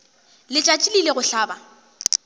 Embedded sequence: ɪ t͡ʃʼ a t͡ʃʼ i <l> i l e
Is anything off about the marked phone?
no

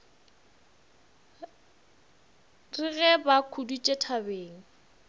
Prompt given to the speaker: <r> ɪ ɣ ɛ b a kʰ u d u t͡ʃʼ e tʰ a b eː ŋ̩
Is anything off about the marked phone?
no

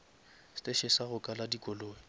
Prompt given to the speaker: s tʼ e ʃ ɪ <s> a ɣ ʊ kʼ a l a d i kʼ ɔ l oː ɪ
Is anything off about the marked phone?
no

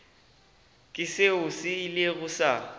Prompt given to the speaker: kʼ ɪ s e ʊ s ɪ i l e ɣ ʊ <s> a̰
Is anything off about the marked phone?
no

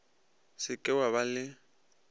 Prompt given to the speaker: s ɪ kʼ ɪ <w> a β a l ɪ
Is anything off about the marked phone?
no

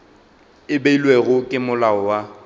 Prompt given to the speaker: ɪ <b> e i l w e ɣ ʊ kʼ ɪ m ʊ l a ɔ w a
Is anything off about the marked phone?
no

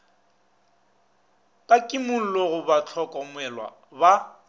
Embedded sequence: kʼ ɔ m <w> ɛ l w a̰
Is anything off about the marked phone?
no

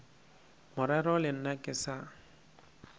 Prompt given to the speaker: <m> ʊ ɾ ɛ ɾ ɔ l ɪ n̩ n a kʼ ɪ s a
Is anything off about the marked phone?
no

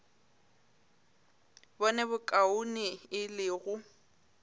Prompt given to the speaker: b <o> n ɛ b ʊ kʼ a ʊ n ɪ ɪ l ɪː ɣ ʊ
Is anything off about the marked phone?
yes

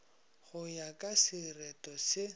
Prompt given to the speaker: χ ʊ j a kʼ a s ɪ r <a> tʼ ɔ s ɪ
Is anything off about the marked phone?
yes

